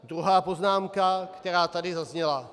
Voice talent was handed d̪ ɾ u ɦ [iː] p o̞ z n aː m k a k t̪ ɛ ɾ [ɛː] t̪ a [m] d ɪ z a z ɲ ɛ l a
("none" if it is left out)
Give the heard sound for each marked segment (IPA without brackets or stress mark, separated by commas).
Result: aː, aː, none